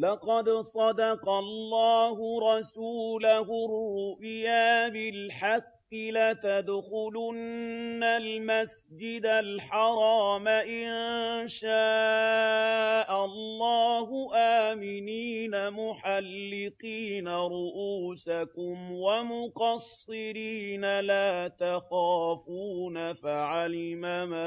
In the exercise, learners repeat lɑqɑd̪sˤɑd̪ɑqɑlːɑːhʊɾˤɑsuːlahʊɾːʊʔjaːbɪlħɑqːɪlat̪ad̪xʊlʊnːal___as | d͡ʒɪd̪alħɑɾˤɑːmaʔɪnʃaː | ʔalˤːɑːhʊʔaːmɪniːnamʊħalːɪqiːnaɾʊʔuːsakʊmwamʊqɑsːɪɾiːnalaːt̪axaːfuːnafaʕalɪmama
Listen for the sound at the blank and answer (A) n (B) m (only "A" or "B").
B